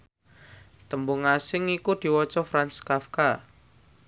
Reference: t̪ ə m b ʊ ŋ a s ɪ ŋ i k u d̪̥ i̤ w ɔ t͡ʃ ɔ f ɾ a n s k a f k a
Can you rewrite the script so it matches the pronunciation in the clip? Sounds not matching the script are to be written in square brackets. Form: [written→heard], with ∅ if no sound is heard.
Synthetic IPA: t̪ ə m b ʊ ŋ a s ɪ ŋ i k u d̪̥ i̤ w ɔ t͡ʃ ɔ f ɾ a n s k a f k a